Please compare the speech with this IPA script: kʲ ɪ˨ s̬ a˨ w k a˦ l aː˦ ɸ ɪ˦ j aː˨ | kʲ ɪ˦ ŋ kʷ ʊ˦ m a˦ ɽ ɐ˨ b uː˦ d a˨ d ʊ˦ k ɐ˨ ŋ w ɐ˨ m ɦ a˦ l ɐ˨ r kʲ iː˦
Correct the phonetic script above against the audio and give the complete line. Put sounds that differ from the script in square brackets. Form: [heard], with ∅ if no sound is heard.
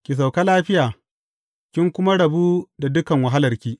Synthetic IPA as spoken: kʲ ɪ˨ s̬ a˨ w k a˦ l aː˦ ɸ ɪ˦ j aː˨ | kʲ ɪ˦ ŋ kʷ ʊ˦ m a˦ ɽ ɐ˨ b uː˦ d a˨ d ʊ˦ k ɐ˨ ŋ w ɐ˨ [∅] ɦ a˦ l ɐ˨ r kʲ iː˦